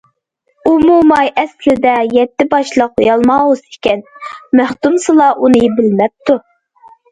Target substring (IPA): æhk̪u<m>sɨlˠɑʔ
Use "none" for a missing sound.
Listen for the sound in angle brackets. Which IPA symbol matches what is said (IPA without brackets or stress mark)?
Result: m